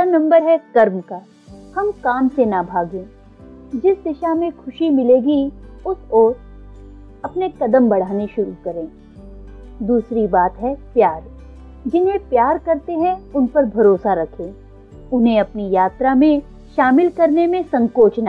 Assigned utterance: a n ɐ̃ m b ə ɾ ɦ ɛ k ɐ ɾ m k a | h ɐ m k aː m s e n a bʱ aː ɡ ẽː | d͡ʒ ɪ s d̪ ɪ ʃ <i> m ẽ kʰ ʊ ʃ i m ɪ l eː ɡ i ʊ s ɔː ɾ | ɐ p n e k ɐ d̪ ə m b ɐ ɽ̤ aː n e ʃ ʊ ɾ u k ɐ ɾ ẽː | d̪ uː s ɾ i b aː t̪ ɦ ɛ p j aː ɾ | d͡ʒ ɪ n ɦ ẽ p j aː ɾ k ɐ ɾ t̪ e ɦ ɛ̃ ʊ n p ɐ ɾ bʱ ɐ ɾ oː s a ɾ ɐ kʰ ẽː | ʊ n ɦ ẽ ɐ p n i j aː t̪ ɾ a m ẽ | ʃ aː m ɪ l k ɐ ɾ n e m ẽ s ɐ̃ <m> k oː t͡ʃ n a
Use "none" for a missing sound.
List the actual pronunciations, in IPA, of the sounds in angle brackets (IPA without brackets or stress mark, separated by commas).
a, ŋ